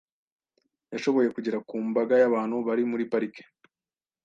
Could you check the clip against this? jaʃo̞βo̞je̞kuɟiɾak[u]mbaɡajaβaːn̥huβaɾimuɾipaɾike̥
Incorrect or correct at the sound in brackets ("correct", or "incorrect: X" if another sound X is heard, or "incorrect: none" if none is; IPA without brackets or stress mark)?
incorrect: uː